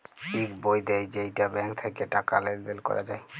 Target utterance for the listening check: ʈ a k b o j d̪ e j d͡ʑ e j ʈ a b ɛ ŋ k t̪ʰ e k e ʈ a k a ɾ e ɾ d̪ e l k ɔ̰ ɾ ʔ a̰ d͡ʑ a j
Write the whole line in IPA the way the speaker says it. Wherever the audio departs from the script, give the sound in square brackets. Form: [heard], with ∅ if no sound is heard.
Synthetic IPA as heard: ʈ [i] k b o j d̪ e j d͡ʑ e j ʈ a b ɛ ŋ k t̪ʰ e k e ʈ a k a [l] e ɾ d̪ e l k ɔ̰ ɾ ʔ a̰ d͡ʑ a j